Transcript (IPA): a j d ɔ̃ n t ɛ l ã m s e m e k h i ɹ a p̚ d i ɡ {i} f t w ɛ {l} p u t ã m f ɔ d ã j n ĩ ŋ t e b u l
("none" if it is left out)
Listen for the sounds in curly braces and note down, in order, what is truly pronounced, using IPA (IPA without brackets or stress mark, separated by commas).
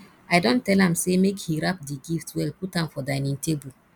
i, l